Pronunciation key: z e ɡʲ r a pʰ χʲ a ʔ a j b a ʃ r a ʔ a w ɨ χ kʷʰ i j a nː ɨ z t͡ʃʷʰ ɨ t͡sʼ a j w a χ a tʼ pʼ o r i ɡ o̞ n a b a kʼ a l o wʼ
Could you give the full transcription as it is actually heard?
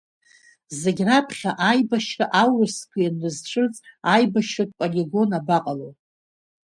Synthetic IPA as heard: z e ɡʲ r a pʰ χʲ a ʔ a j b a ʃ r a ʔ a w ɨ s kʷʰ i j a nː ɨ z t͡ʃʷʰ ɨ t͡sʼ a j b a ʃ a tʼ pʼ o l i ɡ o̞ n a b a qʼ a l o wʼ